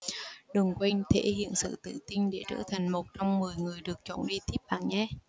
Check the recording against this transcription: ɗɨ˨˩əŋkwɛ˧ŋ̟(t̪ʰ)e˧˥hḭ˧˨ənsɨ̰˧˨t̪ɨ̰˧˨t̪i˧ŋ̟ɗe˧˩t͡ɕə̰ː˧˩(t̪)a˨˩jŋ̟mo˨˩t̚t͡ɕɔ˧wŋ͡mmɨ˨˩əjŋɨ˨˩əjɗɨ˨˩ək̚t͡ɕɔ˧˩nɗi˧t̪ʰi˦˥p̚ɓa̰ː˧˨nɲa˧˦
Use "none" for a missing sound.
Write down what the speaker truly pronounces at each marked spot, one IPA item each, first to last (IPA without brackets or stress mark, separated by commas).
t̪ʰ, t̪ʰ